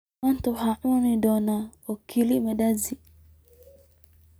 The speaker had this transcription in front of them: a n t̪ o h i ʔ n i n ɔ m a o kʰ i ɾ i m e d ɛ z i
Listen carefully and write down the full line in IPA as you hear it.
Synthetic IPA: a n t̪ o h a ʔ n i d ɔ n a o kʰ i l i m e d a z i